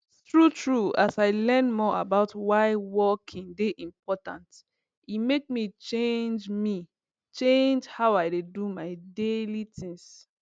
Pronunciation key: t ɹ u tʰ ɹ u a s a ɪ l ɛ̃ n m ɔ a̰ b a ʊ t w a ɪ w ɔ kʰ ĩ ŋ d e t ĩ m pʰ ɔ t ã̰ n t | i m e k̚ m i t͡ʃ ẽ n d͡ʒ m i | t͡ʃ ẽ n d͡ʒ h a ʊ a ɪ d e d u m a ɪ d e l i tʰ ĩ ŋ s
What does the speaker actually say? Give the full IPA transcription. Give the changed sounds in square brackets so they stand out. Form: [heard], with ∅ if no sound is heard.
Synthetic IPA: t ɹ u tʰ ɹ u a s a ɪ l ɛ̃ n m ɔ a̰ b a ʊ t w a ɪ w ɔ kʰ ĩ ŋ d e [ʔ] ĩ m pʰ ɔ t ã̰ n t | i m e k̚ m i t͡ʃ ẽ n d͡ʒ m i | t͡ʃ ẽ n d͡ʒ h a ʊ a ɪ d e d u m a ɪ d e l i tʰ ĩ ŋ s